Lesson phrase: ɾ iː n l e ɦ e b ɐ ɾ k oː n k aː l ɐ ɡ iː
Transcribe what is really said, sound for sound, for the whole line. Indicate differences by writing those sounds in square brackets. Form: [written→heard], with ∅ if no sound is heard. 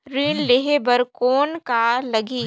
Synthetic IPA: ɾ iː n l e ɦ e b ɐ ɾ k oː n k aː l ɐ ɡ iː